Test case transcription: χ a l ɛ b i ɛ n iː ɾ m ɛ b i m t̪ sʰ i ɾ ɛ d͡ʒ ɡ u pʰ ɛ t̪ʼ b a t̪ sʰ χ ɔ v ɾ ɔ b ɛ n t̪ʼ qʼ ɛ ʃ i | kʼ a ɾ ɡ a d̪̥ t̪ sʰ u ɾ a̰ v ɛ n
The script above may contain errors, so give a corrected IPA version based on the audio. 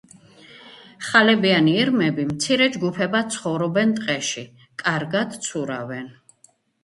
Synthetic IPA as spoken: χ a l ɛ b i a n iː ɾ m ɛ b i m t̪ sʰ i ɾ ɛ d͡ʒ ɡ u pʰ ɛ b a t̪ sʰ χ ɔ v ɾ ɔ b ɛ n t̪ʼ qʼ ɛ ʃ i | kʼ a ɾ ɡ a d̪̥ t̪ sʰ u ɾ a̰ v ɛ n